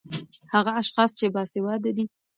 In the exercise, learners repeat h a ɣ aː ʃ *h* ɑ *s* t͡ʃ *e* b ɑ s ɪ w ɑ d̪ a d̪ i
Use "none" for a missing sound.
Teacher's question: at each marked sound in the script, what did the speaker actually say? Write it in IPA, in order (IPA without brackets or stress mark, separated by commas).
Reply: x, s, e